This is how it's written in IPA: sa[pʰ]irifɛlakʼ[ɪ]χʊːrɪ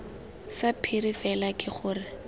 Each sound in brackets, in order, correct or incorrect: correct, correct

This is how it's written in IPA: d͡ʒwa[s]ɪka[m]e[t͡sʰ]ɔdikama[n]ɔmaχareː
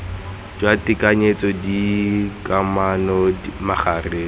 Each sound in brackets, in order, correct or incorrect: incorrect: t, incorrect: ɲ, incorrect: t͡s, correct

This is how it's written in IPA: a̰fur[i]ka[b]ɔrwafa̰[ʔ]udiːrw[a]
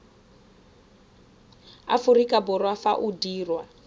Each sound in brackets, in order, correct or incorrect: correct, correct, correct, correct

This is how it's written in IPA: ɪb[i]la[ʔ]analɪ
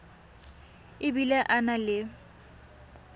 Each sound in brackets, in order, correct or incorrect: correct, correct

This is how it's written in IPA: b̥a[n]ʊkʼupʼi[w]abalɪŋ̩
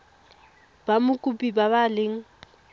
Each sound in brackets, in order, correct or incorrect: incorrect: m, incorrect: b

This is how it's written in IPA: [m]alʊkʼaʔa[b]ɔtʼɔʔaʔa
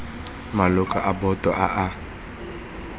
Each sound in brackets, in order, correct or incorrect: correct, correct

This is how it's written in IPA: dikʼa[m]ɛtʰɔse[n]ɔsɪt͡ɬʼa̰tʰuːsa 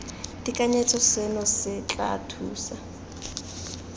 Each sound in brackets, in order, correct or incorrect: incorrect: ɲ, correct

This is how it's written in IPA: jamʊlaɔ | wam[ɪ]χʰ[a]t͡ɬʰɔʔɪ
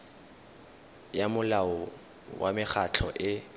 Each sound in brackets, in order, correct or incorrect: correct, correct

